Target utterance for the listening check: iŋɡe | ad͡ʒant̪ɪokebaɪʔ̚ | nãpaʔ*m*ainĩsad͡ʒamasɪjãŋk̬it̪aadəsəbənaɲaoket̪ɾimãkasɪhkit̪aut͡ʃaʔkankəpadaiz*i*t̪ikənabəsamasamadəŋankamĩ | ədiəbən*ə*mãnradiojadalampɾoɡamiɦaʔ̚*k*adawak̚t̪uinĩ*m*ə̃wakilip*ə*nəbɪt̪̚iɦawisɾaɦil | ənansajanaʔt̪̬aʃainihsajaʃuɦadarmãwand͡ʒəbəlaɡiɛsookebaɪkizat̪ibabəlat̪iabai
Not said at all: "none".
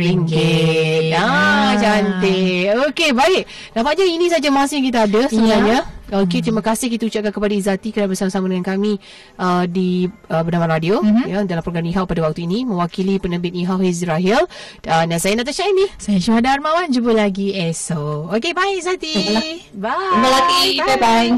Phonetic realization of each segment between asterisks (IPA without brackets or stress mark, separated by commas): ɲ, a, a, p, m, ə